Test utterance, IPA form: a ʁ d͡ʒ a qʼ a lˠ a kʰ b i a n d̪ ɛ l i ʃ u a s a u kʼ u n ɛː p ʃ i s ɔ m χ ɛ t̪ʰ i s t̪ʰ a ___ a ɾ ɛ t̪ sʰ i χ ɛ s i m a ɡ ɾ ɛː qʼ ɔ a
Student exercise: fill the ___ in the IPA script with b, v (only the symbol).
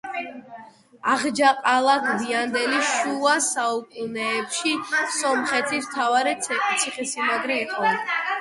v